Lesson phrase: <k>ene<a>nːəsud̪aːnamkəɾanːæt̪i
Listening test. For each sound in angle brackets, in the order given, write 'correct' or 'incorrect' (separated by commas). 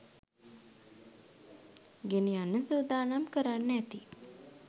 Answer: incorrect, correct